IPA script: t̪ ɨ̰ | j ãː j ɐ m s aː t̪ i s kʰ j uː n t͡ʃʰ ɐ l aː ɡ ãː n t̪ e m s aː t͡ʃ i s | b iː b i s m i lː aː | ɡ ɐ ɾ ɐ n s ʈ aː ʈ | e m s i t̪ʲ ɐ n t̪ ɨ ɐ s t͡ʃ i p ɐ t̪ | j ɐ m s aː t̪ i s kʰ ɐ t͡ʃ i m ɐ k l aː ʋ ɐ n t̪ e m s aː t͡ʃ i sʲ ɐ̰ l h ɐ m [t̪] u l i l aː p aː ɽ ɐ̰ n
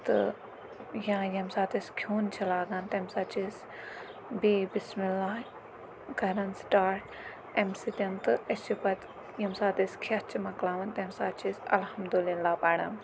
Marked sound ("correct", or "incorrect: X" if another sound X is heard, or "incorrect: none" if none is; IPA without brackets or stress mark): incorrect: d̪